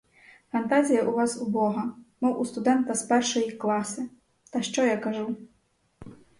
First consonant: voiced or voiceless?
voiceless